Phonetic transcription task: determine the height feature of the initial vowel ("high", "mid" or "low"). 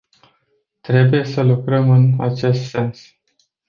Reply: mid